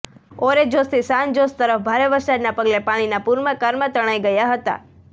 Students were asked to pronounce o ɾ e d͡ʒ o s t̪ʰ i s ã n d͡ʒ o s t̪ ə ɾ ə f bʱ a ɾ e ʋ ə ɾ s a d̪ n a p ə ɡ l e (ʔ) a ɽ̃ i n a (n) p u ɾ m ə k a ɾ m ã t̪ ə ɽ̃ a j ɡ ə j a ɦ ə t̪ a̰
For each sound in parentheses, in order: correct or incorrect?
incorrect, incorrect

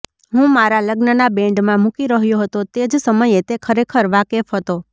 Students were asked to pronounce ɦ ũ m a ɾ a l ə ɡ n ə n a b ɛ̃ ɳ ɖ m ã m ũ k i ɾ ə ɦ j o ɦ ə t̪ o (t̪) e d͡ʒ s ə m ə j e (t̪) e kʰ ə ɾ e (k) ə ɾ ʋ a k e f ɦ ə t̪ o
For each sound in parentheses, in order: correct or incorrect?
correct, correct, incorrect

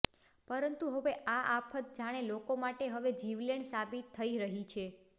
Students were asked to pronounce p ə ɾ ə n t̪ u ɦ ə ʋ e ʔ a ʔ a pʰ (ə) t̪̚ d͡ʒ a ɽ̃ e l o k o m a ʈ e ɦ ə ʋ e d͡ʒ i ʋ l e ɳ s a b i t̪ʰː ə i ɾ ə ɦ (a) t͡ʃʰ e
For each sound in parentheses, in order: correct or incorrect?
correct, incorrect

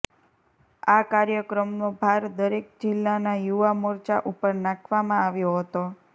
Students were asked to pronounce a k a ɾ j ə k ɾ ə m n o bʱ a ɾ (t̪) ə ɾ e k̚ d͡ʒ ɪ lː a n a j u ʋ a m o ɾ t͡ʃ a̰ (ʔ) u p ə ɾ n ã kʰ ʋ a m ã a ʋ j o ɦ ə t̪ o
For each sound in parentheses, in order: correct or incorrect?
incorrect, correct

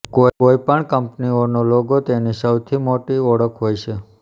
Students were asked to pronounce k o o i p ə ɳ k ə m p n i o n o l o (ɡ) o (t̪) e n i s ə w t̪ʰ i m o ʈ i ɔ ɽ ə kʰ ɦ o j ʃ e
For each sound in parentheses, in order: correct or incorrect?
correct, correct

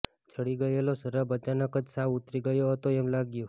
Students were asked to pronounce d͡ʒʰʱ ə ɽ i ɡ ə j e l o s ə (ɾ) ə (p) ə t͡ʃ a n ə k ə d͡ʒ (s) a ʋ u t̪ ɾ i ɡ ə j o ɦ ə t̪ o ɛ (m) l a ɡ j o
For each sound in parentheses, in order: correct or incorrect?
correct, incorrect, correct, correct

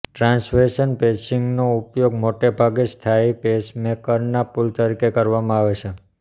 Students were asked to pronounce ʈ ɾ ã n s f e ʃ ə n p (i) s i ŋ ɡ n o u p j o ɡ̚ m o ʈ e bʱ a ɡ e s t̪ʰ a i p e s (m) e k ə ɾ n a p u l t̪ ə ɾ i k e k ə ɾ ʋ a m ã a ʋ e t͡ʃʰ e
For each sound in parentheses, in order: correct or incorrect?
incorrect, correct

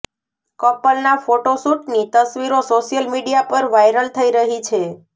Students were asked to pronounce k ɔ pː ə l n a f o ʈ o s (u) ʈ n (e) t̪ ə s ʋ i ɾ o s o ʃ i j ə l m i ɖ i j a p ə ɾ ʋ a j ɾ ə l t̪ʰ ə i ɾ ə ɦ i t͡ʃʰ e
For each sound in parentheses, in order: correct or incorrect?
correct, incorrect

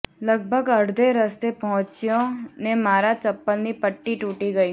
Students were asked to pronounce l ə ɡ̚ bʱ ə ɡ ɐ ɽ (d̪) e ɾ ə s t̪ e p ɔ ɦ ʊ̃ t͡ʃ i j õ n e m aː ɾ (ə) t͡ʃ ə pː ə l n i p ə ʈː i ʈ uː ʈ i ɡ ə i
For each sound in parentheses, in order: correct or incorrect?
correct, incorrect

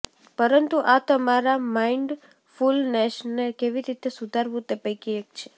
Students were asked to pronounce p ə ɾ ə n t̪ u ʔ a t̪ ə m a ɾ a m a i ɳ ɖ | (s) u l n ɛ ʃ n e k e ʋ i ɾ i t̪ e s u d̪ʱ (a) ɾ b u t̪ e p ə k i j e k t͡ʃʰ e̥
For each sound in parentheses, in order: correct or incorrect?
incorrect, correct

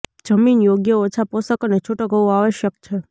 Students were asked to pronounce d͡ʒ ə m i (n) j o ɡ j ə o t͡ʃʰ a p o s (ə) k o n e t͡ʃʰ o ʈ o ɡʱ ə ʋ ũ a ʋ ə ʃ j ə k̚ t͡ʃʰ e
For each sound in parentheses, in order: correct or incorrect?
correct, correct

